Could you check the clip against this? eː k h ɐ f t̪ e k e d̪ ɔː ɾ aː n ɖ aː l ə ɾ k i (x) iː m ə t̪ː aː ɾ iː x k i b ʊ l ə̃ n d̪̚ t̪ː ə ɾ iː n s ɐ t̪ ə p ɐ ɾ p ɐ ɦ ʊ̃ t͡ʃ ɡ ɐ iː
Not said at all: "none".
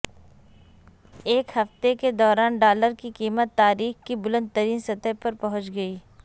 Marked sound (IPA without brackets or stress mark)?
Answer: k